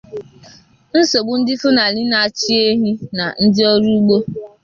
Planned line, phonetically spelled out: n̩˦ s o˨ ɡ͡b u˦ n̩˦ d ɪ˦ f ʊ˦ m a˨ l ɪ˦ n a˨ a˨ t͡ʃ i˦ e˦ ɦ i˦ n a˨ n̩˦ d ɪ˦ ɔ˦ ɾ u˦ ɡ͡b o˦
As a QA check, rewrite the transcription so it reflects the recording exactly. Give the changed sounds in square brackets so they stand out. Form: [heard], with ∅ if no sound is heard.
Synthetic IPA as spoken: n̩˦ s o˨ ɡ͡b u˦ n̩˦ d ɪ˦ f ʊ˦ [n] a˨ l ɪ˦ n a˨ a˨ t͡ʃ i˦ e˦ ɦ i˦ n a˨ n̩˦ d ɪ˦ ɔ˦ ɾ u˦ ɡ͡b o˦